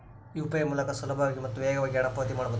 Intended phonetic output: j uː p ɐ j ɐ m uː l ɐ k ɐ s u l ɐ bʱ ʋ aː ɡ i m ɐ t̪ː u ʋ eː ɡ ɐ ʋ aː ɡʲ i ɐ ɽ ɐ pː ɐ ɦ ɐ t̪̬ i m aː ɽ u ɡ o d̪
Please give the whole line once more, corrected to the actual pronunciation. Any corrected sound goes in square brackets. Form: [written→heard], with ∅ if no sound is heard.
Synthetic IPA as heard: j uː p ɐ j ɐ m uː l ɐ k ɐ s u l ɐ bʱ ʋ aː ɡ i m ɐ t̪ː u ʋ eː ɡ ɐ ʋ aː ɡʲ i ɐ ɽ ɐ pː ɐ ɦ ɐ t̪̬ i m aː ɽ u [ɡ→b] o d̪